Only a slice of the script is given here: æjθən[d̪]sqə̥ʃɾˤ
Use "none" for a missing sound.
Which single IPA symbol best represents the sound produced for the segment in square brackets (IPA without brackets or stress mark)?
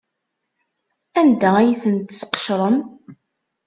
t̪